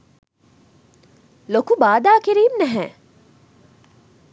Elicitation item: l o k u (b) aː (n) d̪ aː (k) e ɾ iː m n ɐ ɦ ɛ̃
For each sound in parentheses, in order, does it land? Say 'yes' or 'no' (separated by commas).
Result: yes, no, yes